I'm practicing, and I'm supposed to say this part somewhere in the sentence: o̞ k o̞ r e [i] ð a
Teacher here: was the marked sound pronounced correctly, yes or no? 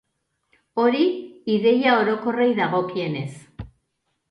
no